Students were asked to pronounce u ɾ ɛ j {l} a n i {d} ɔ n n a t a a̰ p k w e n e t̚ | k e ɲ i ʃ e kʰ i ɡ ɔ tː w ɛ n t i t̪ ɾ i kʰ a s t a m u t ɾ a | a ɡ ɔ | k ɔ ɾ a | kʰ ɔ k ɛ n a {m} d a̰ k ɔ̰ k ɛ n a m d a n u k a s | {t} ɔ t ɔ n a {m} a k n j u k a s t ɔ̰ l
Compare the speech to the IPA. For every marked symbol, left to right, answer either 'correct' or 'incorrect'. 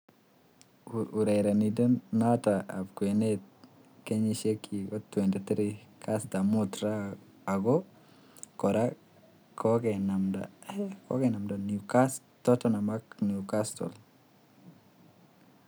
incorrect: ɾ, correct, correct, correct, correct

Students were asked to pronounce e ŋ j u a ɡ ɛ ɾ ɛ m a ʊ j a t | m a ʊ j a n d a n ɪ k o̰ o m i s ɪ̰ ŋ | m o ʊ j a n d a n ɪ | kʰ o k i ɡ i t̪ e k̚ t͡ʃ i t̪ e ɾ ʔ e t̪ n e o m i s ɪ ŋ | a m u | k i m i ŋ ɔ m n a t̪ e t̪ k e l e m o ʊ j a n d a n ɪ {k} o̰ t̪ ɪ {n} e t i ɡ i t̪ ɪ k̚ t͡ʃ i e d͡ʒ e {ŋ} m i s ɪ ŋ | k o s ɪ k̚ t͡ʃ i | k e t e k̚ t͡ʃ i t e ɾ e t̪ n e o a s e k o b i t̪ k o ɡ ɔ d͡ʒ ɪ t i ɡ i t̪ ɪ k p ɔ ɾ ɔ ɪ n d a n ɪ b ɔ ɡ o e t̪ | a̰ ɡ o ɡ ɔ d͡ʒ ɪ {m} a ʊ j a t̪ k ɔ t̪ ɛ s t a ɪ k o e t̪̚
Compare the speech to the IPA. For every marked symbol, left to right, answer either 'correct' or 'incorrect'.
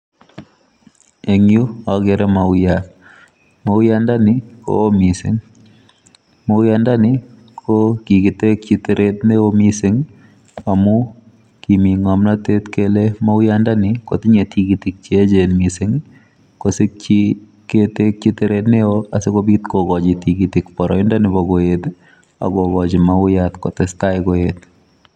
correct, incorrect: ɲ, incorrect: n, correct

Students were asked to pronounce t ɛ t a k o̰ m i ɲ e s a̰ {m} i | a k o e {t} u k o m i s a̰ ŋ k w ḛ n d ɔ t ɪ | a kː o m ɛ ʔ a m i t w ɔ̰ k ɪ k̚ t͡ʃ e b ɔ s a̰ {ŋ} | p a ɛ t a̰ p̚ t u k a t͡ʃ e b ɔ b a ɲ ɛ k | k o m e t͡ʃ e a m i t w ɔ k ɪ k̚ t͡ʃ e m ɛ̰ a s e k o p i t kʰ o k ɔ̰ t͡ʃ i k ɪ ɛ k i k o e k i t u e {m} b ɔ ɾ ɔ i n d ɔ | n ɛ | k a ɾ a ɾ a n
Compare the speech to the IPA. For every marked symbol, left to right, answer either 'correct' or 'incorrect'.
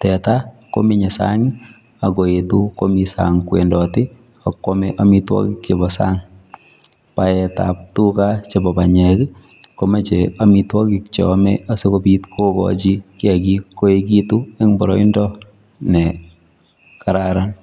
incorrect: ŋ, correct, correct, incorrect: ŋ

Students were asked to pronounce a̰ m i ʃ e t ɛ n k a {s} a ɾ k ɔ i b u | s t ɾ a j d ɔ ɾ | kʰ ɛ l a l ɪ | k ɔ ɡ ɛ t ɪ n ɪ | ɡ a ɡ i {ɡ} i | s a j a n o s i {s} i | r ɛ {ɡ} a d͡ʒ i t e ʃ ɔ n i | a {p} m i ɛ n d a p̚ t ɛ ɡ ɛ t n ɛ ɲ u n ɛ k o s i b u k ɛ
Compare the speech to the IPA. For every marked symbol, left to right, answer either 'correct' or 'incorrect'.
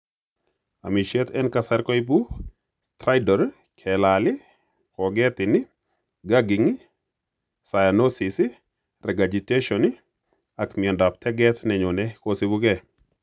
correct, incorrect: ŋ, correct, correct, incorrect: k

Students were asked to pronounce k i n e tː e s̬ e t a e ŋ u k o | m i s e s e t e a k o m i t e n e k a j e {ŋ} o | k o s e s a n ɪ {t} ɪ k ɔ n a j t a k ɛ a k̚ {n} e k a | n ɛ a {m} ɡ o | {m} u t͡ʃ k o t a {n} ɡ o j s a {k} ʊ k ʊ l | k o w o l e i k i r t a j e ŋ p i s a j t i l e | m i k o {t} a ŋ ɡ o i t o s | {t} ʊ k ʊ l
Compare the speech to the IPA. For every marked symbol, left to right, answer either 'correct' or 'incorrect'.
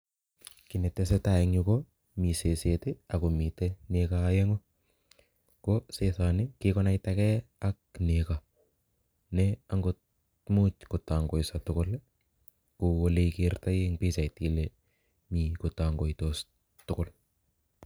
correct, incorrect: k, correct, incorrect: ŋ, correct, incorrect: ŋ, incorrect: t, correct, correct

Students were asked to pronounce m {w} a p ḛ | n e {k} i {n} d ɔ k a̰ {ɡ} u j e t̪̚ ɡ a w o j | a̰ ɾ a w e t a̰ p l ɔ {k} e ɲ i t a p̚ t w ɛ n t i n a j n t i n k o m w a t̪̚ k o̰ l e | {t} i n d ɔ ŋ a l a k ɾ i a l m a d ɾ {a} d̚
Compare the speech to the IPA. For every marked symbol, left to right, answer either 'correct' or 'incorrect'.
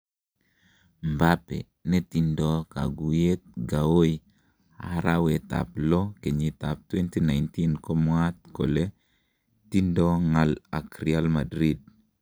incorrect: b, incorrect: t, correct, correct, correct, correct, incorrect: i

